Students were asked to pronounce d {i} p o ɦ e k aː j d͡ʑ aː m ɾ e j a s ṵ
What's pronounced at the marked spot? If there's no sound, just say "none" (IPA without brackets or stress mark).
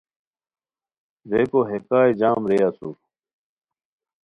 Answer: e